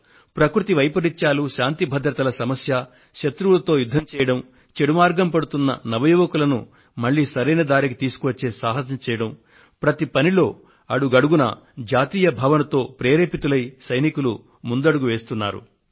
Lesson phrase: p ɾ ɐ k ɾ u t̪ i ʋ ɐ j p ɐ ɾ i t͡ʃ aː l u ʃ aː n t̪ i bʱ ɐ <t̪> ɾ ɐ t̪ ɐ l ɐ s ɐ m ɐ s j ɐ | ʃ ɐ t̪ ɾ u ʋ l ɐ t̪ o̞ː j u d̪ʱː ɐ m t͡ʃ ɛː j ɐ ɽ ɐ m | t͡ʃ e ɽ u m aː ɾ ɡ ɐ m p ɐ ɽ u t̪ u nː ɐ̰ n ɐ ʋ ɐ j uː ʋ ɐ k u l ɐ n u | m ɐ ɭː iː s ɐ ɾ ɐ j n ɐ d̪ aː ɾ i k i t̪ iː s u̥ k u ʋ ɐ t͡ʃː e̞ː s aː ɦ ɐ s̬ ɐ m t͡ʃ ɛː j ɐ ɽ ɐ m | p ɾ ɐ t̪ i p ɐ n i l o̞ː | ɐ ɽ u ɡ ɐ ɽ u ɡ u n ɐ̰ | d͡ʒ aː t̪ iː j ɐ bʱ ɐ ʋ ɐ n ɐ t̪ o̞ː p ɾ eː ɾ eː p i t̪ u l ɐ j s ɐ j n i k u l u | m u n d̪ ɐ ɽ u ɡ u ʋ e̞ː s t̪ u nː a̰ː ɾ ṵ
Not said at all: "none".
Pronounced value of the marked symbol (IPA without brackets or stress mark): d̪